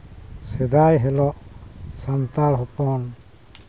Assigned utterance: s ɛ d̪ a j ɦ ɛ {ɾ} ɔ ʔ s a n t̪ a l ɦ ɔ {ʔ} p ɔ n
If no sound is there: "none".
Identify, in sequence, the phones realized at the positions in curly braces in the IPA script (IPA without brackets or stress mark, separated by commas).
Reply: l, none